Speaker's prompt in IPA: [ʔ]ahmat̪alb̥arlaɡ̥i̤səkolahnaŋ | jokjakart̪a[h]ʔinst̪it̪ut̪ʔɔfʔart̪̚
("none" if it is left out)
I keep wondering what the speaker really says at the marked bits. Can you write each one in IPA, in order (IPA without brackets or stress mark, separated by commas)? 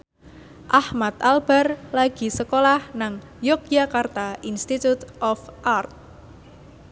ʔ, none